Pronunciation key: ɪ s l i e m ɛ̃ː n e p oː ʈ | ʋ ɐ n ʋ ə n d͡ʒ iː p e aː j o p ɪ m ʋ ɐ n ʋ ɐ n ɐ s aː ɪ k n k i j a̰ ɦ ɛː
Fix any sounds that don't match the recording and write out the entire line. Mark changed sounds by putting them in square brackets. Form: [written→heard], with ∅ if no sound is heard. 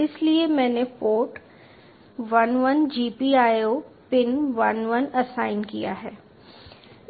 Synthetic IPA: ɪ s l i e m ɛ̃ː n e p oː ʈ | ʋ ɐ n ʋ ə n d͡ʒ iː p [e→i] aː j o p ɪ [m→n] ʋ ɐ n ʋ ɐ n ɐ s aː ɪ [k→∅] n k i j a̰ ɦ ɛː

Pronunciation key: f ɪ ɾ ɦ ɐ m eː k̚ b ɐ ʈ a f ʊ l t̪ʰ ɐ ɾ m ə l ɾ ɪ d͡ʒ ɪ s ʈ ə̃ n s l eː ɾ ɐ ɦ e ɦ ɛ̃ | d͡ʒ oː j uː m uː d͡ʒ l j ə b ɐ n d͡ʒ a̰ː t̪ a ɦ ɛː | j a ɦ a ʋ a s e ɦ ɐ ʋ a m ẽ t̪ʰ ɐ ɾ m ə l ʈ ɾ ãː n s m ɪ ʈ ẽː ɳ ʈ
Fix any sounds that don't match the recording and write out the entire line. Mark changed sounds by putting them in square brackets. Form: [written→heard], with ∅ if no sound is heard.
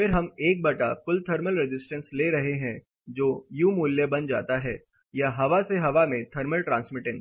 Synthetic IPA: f ɪ ɾ ɦ ɐ m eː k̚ b ɐ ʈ a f ʊ l t̪ʰ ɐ ɾ m ə l ɾ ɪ d͡ʒ ɪ s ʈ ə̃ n s l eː ɾ ɐ ɦ e ɦ ɛ̃ | d͡ʒ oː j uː m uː [d͡ʒ→∅] l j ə b ɐ n d͡ʒ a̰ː t̪ a ɦ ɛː | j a ɦ [a→ɐ] ʋ a s e ɦ ɐ ʋ a m ẽ t̪ʰ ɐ ɾ m ə l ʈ ɾ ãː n s m ɪ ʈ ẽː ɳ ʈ

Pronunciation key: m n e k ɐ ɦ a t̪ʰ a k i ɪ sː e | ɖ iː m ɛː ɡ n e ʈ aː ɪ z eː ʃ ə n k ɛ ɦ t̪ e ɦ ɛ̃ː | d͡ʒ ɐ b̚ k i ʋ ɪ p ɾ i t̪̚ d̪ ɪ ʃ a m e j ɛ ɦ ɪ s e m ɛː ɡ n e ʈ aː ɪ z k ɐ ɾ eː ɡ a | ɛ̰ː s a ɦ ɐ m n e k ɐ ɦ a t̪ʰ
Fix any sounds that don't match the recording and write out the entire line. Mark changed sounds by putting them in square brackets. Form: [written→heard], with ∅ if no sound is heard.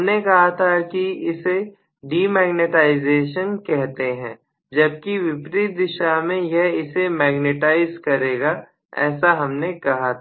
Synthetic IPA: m n e k ɐ ɦ a t̪ʰ a k i ɪ [sː→s] e | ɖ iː m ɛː ɡ n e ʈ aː ɪ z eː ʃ ə n k ɛ ɦ t̪ e ɦ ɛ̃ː | d͡ʒ ɐ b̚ k i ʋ ɪ p ɾ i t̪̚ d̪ ɪ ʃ a m [e→ẽ] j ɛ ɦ ɪ s e m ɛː ɡ n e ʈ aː ɪ z k ɐ ɾ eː ɡ a | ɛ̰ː s a ɦ ɐ m n e k ɐ ɦ a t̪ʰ

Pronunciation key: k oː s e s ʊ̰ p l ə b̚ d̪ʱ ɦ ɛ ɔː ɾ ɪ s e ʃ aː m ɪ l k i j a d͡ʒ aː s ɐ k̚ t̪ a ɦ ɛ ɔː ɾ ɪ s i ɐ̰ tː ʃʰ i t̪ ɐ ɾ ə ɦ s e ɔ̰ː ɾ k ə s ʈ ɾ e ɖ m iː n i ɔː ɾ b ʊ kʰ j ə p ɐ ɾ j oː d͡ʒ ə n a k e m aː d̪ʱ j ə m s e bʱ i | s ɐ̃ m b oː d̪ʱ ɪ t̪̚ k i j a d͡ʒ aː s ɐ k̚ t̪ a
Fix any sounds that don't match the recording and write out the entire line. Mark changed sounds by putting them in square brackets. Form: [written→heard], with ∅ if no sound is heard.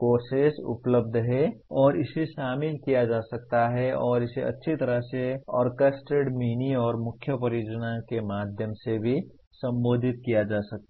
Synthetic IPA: k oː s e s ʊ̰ p l ə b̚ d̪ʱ ɦ ɛ ɔː ɾ ɪ s e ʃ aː m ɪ l k i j a d͡ʒ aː s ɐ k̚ t̪ a ɦ ɛ ɔː ɾ ɪ s [i→e] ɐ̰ tː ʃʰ i t̪ ɐ ɾ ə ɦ s e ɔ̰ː ɾ k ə s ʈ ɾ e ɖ m iː n i ɔː ɾ [b→m] ʊ kʰ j ə p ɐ ɾ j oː d͡ʒ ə n a k e m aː d̪ʱ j ə m s e bʱ i | s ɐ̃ m b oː d̪ʱ ɪ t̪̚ k i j a d͡ʒ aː s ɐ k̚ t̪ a

